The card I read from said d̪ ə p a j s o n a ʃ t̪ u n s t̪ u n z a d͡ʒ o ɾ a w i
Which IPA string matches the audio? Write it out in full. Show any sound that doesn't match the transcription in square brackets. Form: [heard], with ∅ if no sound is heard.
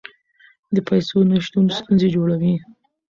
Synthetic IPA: d̪ ə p a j s o n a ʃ t̪ u n s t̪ u n z [e] d͡ʒ o [ɽ] a w i